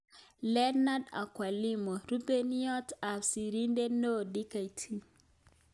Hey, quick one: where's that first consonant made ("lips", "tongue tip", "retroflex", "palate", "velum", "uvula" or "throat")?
tongue tip